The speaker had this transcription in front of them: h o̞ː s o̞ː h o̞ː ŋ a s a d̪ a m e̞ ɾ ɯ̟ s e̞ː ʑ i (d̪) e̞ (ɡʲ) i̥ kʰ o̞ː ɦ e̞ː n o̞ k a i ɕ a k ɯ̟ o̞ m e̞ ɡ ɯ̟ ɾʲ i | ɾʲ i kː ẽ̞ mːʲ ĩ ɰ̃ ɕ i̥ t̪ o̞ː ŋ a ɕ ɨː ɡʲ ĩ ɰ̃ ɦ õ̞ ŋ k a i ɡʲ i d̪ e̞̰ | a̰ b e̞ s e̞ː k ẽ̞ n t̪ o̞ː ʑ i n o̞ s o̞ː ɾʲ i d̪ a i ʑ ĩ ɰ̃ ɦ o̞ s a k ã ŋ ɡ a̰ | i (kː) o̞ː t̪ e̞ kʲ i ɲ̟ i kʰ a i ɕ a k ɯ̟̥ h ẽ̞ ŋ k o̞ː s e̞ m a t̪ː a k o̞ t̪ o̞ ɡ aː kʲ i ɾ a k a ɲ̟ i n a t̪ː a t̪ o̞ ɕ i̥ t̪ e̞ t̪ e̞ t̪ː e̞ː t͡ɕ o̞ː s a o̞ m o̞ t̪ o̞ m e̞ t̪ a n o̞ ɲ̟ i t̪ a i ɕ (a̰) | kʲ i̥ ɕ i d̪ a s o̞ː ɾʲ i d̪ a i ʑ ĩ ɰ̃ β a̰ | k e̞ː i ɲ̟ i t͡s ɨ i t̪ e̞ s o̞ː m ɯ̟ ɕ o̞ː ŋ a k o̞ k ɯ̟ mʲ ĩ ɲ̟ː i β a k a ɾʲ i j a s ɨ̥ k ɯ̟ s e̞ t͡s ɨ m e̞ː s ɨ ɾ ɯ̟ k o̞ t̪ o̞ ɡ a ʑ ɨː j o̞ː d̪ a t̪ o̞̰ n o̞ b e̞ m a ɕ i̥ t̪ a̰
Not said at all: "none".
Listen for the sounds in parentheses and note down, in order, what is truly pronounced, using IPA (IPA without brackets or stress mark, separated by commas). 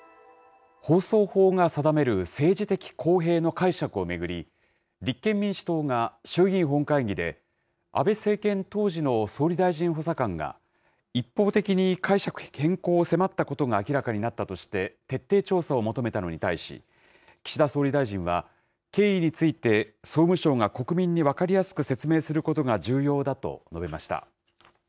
t̪, kʲ, pː, ḭ